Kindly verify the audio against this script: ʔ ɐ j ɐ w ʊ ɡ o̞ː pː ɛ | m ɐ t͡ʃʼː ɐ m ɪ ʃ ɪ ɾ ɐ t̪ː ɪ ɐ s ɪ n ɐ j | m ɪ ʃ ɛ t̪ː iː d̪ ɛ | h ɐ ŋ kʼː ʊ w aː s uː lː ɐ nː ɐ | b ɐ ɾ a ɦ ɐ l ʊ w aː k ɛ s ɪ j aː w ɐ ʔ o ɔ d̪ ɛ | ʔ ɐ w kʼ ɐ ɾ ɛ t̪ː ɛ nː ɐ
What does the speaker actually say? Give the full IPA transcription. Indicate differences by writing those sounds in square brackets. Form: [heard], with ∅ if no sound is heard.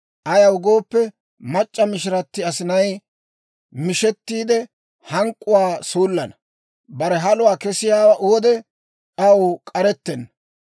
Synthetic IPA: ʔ ɐ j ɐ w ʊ ɡ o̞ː pː ɛ | m ɐ t͡ʃʼː ɐ m ɪ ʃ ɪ ɾ ɐ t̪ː ɪ ɐ s ɪ n ɐ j | m ɪ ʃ ɛ t̪ː iː d̪ ɛ | h ɐ ŋ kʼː ʊ w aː s uː lː ɐ [n] ɐ | b ɐ ɾ [ɛ] ɦ ɐ l ʊ w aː k ɛ s ɪ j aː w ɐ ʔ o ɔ d̪ ɛ | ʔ ɐ w kʼ ɐ ɾ ɛ t̪ː ɛ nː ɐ